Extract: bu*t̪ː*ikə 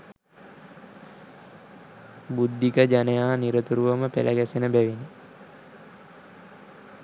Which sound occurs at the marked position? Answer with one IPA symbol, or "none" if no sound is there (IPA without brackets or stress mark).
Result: d̪ː